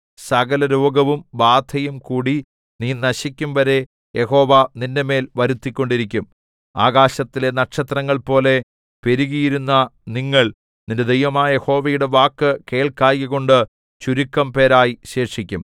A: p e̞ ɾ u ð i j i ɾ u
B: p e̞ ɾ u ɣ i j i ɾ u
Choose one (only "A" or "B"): B